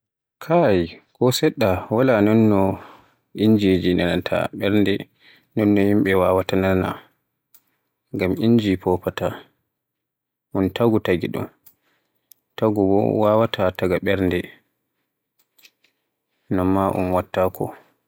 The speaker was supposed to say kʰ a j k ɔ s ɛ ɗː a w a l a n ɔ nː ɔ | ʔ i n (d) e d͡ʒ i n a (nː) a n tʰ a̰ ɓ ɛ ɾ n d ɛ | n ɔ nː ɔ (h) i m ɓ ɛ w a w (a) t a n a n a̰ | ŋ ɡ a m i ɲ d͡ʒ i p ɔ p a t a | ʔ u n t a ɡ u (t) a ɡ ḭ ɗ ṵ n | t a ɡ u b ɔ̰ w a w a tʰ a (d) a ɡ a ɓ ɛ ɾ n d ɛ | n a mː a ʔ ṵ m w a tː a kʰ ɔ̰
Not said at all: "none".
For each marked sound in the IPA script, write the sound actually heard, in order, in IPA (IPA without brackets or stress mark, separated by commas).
d͡ʒ, n, h, a, t, t